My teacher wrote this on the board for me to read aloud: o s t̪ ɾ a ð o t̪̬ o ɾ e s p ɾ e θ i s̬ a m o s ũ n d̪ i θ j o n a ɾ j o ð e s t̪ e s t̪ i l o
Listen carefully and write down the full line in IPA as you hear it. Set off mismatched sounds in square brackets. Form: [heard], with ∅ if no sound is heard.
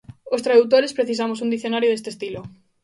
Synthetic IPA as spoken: o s t̪ ɾ a ð [u] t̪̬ o ɾ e s p ɾ e θ i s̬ a m o s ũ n d̪ i θ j o n a ɾ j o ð e s t̪ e s t̪ i l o